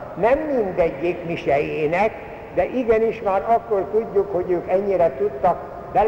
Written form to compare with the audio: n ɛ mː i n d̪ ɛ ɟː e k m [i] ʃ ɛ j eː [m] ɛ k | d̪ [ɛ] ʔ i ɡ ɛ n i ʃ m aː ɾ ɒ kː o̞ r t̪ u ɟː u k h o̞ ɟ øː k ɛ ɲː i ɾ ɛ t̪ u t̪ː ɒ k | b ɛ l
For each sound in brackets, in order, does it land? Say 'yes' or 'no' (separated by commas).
yes, no, yes